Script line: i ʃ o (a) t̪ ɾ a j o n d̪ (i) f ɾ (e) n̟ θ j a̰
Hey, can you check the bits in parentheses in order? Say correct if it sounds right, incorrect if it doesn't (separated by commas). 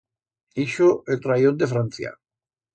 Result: incorrect, incorrect, incorrect